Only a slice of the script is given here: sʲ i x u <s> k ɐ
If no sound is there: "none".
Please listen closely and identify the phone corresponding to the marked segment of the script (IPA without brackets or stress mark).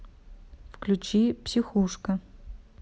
ʂ